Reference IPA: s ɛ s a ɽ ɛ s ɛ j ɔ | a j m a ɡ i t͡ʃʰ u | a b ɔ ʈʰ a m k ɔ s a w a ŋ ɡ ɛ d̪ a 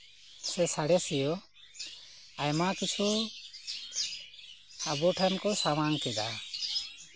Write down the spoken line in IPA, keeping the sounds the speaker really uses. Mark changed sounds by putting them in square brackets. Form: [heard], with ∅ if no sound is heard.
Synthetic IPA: s ɛ s a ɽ ɛ s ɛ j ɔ | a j m a [k] i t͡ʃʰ u | a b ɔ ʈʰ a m k ɔ s a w a ŋ [k] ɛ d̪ a